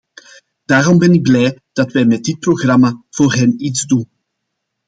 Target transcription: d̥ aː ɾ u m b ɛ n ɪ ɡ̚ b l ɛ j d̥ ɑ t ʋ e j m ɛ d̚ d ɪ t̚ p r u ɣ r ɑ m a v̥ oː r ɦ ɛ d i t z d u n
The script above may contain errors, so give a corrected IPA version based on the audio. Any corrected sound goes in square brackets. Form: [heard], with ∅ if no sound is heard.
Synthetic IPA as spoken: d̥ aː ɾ [ɔ] m b ɛ n ɪ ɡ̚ b l ɛ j d̥ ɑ t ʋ [ɛ] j m ɛ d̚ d ɪ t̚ p r [o] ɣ r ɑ m a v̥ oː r ɦ ɛ [n] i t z d u n

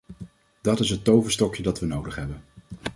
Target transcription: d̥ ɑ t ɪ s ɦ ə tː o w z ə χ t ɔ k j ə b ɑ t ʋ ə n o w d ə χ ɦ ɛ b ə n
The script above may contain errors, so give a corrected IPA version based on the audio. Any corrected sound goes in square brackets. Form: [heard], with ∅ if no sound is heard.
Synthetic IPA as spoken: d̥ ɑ t ɪ s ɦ ə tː o w [v] ə [s] t ɔ k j ə [d] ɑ t ʋ ə n o w d ə χ ɦ ɛ b ə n

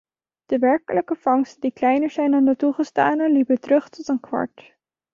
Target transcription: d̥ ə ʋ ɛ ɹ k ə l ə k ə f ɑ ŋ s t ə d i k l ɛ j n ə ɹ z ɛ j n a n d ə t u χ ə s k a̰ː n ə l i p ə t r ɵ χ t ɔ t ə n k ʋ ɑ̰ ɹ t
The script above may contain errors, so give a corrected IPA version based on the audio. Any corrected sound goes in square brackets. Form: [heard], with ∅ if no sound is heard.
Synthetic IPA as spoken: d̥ ə ʋ ɛ ɹ k ə l ə k ə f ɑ ŋ s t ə d i k l ɛ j n ə ɹ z ɛ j n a n d ə t u χ ə s [t] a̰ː n ə l i p ə t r ɵ χ t ɔ t ə n k ʋ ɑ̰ ɹ t

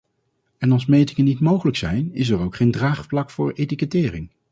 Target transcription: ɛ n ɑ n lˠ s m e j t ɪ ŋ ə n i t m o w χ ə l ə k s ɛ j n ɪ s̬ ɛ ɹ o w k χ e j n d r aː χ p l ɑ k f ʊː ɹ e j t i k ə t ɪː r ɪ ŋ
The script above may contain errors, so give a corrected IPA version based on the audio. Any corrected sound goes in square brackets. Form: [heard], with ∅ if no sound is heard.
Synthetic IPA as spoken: ɛ n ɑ [∅] lˠ s m e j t ɪ ŋ ə n i t m o w χ ə l ə k s ɛ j n ɪ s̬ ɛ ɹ o w k χ e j n d r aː χ p l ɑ k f ʊː ɹ e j t i k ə t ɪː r ɪ ŋ

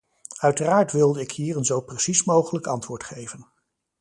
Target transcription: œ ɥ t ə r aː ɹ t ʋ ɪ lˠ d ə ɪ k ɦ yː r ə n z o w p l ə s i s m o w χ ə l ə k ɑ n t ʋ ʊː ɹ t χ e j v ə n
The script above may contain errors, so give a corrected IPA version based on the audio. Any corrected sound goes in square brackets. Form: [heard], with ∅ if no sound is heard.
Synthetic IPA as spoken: œ ɥ t ə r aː ɹ t ʋ ɪ lˠ d ə ɪ k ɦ [iː] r ə n z o w p [r] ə s i s m o w χ ə l ə k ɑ n t ʋ ʊː ɹ t χ e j v ə n

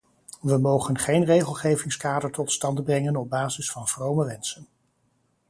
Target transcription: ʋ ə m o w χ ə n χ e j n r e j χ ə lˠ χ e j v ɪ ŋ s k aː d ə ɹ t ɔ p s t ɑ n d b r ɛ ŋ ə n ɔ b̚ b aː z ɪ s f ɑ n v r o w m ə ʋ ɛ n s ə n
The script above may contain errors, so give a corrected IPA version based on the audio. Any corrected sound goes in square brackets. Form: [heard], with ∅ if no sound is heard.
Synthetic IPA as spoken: ʋ ə m o w χ ə n χ e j n r e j χ ə lˠ χ e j v ɪ ŋ s k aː d ə ɹ t ɔ [t] s t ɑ n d b r ɛ ŋ ə n ɔ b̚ b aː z ɪ s f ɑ n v r o w m ə ʋ ɛ n s ə n

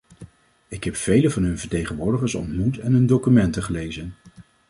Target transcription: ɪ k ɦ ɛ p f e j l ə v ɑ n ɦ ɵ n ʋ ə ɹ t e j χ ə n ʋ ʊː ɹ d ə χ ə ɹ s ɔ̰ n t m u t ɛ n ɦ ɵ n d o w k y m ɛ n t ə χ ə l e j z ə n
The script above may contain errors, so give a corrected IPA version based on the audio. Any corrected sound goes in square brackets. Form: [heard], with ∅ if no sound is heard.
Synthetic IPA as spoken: ɪ k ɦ ɛ p f e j l ə v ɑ n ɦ ɵ n [v] ə ɹ t e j χ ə n ʋ ʊː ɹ d ə χ ə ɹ s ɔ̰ n t m u t ɛ n ɦ ɵ n d o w k y m ɛ n t ə χ ə l e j z ə n

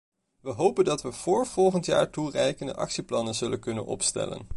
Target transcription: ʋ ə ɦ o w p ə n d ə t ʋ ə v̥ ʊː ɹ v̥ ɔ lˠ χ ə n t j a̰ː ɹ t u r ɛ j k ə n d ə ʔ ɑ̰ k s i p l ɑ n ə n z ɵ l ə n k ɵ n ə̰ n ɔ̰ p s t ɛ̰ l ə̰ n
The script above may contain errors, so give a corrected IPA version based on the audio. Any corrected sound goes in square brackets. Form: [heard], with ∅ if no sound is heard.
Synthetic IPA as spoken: ʋ ə ɦ o w p ə n d [ɑ] t ʋ ə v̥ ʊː ɹ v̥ ɔ lˠ χ ə n t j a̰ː ɹ t u r ɛ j k ə n d ə ʔ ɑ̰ k s i p l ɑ n ə n z ɵ l ə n k ɵ n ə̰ n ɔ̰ p s t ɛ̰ l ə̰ n

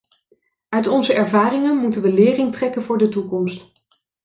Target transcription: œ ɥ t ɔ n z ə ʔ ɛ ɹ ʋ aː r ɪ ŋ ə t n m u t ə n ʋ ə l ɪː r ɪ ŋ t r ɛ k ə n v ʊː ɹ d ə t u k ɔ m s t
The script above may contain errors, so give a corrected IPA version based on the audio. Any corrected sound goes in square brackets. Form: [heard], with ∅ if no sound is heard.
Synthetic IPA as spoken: œ ɥ t ɔ n z ə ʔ ɛ ɹ [v] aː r ɪ ŋ ə [∅] n m u t ə n ʋ ə l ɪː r ɪ ŋ t r ɛ k ə n v ʊː ɹ d ə t u k ɔ m s t

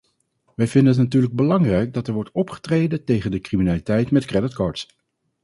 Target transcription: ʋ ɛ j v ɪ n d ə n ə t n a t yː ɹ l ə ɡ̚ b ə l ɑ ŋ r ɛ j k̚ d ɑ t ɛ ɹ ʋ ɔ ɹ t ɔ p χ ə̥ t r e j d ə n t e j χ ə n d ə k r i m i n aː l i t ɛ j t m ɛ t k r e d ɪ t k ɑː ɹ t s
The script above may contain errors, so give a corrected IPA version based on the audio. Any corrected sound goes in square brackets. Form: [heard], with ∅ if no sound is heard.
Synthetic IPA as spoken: ʋ ɛ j v ɪ n d ə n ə t n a t yː ɹ l ə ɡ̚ b ə l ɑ ŋ r ɛ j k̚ d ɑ t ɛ ɹ ʋ ɔ ɹ t ɔ p χ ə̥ t r e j d ə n t e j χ ə n d ə k r i m i n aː l i t ɛ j t m ɛ t k r [ɛ] d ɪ t k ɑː ɹ t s

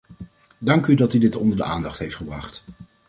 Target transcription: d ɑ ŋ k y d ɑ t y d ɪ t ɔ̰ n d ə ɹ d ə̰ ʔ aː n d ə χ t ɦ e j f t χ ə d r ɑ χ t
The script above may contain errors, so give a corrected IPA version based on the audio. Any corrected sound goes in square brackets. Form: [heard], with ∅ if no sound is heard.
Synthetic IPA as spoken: d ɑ ŋ k y d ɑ t y d ɪ t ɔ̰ n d ə ɹ d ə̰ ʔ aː n d [ɑ] χ t ɦ e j f t χ ə [b] r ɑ χ t

